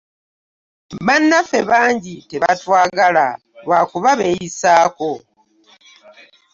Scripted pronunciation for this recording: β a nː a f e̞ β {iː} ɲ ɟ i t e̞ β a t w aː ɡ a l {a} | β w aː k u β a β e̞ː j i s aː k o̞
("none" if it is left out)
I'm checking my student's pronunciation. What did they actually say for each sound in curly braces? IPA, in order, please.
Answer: aː, a

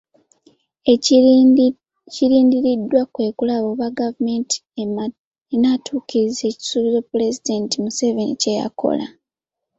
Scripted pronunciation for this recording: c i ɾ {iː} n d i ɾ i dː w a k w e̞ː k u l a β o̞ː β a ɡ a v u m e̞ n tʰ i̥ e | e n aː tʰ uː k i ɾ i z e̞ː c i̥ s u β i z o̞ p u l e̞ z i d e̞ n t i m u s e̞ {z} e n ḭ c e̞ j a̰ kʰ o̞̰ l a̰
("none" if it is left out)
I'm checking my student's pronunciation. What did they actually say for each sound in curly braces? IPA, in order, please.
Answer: iː, v

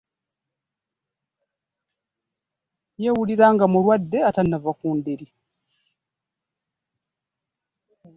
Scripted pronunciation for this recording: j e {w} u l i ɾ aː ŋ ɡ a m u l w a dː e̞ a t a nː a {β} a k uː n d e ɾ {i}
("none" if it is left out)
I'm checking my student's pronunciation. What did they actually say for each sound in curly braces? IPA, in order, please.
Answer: w, v, i

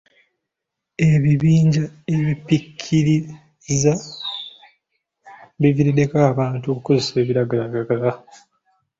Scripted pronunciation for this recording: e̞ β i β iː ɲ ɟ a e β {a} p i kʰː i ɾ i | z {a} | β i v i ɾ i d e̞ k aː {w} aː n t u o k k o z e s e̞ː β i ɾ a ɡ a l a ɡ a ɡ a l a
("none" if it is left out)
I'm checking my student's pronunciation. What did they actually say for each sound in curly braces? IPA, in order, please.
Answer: i, a, β

